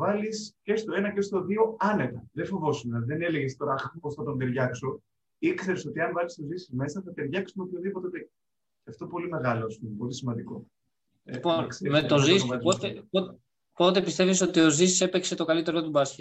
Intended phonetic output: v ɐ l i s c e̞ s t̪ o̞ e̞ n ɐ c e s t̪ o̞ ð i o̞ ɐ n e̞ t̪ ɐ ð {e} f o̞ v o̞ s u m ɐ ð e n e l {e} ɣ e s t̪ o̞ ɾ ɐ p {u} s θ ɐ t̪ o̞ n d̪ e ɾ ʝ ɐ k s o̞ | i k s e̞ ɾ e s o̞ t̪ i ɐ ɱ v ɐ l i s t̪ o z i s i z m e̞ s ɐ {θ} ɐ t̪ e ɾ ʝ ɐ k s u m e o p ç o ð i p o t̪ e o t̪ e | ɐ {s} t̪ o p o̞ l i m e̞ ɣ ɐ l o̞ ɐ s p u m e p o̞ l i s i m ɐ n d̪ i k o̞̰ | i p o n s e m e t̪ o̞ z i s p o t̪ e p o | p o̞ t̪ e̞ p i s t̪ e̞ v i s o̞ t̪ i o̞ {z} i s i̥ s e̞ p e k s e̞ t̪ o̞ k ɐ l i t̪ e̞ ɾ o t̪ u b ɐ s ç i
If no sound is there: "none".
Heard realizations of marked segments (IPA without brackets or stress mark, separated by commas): e, e, o, θ, f, z